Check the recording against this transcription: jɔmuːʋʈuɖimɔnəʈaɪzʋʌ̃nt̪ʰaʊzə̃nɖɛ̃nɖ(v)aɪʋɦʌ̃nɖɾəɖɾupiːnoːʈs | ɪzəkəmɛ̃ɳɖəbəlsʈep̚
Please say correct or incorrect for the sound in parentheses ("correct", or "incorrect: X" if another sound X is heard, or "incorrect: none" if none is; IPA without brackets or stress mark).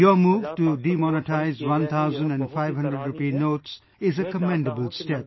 incorrect: f